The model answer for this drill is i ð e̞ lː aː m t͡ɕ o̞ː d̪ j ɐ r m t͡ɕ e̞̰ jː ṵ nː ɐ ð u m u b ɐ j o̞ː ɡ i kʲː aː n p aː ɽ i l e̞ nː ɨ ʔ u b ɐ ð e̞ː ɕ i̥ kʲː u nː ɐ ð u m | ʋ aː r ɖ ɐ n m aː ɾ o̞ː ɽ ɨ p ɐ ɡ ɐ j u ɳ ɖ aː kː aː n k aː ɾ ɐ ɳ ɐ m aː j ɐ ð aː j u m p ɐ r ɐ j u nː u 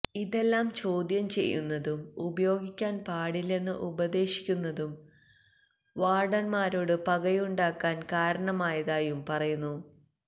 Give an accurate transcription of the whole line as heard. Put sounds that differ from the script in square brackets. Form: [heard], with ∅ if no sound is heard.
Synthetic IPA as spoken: i ð e̞ lː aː m t͡ɕ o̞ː d̪ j ɐ [∅] m t͡ɕ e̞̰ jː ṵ nː ɐ ð u m u b ɐ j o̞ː ɡ i kʲː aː n p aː ɽ i l e̞ nː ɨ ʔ u b ɐ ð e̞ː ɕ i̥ kʲː u nː ɐ ð u m | ʋ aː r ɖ ɐ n m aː ɾ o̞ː ɽ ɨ p ɐ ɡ ɐ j u ɳ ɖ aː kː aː n k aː ɾ ɐ ɳ ɐ m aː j ɐ ð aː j u m p ɐ r ɐ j u nː u